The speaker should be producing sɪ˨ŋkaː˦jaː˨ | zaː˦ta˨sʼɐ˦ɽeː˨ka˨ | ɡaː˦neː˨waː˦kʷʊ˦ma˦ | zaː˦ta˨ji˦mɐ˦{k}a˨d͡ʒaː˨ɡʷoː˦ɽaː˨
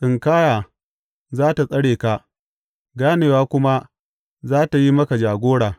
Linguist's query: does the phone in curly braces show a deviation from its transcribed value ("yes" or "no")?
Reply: no